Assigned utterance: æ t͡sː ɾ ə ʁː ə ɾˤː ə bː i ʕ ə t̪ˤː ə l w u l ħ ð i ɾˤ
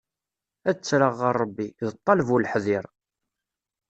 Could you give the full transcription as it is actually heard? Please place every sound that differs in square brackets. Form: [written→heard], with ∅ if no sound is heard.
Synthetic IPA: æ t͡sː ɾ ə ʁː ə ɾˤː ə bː i [ʕ→ð] ə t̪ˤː [ə→ɑ] l [w→v] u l ħ ð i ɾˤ